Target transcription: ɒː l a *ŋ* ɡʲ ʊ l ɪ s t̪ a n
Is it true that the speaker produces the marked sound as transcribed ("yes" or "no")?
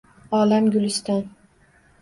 no